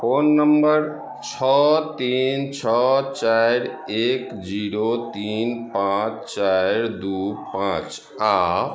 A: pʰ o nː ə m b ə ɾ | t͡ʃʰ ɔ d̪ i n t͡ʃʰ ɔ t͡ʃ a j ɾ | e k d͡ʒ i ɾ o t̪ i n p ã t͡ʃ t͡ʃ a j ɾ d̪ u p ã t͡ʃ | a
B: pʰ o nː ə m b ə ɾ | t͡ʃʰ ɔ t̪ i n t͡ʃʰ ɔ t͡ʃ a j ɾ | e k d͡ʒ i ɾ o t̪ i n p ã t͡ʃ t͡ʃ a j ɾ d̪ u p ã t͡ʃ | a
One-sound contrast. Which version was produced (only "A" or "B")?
B